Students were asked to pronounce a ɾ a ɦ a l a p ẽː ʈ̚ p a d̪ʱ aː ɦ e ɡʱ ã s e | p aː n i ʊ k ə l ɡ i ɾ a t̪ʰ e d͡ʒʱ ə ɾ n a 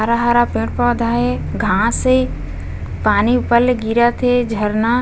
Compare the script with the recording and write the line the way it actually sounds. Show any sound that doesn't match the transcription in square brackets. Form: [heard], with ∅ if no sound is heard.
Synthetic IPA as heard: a ɾ a ɦ a [ɾ] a p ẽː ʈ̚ p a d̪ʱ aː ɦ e ɡʱ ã s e | p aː n i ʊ [p] ə l ɡ i ɾ a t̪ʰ e d͡ʒʱ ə ɾ n a